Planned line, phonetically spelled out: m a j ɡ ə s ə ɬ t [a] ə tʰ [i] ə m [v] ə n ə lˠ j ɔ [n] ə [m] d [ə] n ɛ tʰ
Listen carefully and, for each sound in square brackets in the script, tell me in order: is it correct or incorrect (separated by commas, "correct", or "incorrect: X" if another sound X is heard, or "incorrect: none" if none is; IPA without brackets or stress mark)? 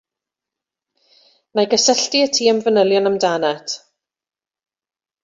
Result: incorrect: i, incorrect: iː, correct, correct, correct, incorrect: a